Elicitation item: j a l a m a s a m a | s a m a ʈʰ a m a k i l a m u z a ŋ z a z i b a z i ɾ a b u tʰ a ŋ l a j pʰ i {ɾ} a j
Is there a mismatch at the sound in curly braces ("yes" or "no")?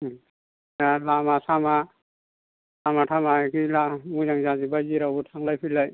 yes